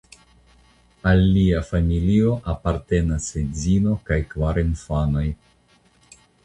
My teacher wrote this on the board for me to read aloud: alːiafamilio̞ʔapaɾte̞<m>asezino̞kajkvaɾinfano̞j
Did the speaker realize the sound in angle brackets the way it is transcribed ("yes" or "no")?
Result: no